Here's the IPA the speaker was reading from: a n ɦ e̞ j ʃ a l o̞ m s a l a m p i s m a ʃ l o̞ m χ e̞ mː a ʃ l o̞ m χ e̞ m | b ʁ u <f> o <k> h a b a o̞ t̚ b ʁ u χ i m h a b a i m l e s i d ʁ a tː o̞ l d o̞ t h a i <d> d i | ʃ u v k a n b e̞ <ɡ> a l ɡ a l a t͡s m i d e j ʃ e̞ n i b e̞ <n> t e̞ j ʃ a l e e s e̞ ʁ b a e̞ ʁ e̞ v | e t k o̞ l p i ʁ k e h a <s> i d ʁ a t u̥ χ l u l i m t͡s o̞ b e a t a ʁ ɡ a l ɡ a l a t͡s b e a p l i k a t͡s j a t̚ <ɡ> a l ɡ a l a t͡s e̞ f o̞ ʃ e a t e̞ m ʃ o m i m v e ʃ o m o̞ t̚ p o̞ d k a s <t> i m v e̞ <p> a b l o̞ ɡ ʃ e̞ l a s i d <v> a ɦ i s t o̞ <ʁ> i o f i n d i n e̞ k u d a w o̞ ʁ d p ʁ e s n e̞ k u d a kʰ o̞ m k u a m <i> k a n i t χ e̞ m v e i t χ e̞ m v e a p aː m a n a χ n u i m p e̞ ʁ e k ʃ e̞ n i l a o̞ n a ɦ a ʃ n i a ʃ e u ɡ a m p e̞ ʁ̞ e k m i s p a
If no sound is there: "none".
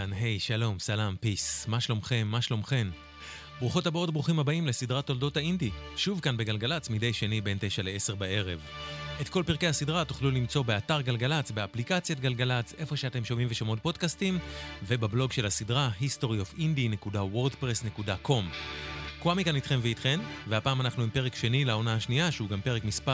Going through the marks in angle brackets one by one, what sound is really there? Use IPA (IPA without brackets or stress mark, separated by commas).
χ, t, n, ɡ, n, s, ɡ, t, b, ʁ, ʁ, i